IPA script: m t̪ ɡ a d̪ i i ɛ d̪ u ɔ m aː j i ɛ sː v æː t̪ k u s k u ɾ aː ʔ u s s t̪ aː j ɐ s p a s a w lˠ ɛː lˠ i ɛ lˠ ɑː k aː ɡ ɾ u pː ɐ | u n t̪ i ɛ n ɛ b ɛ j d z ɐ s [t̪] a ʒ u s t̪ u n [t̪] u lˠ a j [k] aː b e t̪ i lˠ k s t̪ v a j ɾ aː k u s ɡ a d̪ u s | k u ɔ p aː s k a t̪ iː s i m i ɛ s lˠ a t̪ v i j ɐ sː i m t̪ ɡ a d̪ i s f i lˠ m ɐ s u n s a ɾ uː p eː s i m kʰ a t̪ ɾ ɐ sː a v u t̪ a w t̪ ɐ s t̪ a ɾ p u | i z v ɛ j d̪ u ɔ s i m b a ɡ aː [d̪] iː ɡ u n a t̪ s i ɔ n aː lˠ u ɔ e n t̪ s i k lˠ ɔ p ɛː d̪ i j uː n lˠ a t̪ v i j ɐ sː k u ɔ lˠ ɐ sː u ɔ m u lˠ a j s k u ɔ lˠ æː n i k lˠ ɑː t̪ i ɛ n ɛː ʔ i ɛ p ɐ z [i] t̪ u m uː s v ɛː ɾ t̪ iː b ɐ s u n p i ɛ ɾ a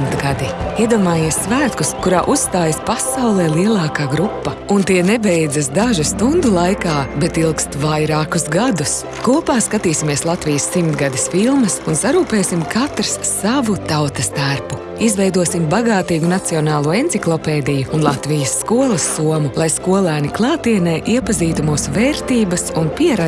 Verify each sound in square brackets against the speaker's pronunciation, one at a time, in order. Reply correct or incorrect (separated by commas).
incorrect, incorrect, correct, incorrect, incorrect